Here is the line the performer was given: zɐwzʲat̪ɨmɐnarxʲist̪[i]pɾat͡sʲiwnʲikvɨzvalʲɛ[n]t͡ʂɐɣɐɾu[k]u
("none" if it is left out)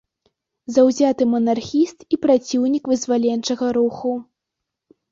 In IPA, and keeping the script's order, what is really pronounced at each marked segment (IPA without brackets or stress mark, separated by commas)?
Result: i, n, x